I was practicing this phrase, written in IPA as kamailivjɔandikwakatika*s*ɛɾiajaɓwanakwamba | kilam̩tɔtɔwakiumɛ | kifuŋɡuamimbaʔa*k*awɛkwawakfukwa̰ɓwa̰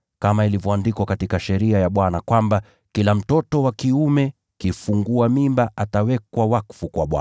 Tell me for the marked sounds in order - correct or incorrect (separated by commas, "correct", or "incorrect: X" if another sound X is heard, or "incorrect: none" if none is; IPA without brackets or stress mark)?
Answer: incorrect: ʃ, incorrect: t